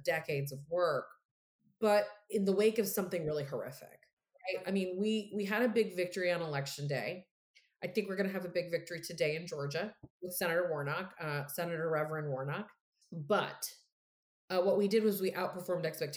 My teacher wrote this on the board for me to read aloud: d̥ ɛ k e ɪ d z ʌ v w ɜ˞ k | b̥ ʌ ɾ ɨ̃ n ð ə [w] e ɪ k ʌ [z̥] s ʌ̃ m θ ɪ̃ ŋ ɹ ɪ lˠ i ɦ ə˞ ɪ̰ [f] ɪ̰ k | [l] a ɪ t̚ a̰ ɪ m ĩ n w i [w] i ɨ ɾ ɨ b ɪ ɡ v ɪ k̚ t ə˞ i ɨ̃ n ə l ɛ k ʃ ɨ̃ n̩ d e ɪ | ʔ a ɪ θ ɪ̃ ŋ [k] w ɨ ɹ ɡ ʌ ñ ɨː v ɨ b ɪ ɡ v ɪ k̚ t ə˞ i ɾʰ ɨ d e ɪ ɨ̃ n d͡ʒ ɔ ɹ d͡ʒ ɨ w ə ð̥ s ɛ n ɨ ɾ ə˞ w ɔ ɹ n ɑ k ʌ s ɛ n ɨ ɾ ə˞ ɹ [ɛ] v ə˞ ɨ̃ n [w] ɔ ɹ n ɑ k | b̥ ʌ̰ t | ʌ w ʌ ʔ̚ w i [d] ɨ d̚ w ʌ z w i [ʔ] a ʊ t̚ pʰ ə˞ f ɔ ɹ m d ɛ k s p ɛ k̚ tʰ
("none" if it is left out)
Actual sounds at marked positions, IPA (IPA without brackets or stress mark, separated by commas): w, v̥, f, ɹ, w, k, ɛ, w, d, ʔ